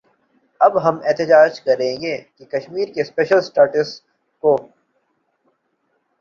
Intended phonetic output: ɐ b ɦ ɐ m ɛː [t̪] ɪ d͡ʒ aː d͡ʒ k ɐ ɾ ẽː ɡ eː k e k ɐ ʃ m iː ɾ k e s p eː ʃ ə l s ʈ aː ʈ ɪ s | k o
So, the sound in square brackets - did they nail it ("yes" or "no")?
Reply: yes